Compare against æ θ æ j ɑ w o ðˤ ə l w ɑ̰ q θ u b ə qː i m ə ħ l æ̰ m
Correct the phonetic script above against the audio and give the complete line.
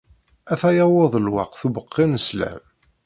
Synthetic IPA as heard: æ θ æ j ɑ w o ðˤ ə l w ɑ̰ q θ u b ə qː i n ə s l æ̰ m

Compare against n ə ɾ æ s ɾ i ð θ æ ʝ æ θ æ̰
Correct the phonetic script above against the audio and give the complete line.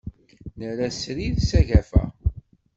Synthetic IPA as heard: n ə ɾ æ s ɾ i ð s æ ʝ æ f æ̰

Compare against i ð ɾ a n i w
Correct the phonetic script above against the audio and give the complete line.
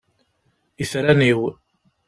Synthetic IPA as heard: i θ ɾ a n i w

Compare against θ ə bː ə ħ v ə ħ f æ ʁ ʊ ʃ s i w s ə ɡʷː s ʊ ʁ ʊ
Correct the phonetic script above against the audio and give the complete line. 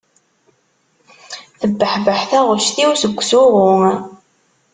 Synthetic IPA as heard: θ ə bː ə ħ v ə ħ θ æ ʁ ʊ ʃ θ i w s ə ɡʷː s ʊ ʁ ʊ

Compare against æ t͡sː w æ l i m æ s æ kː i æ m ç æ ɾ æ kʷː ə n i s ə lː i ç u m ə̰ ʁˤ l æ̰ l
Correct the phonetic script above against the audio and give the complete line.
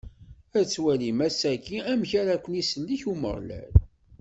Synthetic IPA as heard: æ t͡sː w æ l i m æ s æ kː i æ m ç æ ɾ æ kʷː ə n i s ə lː i ç u m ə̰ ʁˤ l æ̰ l

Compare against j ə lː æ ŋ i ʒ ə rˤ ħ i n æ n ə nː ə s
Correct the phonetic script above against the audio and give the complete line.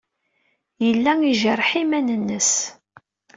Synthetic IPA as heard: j ə lː æ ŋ i ʒ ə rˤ ħ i m æ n ə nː ə s

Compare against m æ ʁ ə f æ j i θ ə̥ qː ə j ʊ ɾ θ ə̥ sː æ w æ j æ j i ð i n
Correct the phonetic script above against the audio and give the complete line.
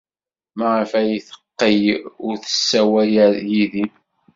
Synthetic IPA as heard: m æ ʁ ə f æ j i θ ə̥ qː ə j ʊ ɾ θ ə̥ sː æ w æ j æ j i ð i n

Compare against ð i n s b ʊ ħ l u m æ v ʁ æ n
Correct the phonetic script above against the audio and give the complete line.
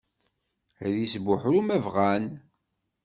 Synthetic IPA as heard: ð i s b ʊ ħ ɾ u m æ v ʁ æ n

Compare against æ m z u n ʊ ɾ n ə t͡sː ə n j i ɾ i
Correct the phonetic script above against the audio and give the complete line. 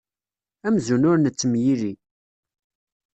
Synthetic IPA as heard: æ m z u n ʊ ɾ n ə t͡sː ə m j i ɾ i

